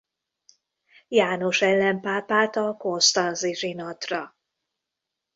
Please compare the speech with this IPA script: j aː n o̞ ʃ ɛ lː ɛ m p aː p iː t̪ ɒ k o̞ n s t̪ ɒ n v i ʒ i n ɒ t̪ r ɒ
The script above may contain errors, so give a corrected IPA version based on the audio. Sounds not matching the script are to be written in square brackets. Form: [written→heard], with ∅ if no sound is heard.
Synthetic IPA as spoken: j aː n o̞ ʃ ɛ lː ɛ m p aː p [iː→aː] t̪ ɒ k o̞ n s t̪ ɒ n [v→z] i ʒ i n ɒ t̪ r ɒ